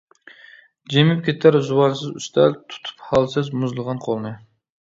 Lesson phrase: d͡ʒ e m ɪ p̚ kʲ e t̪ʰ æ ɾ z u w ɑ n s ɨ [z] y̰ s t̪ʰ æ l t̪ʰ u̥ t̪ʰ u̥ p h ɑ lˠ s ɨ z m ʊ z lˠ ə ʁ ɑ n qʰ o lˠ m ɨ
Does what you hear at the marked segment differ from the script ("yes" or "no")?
no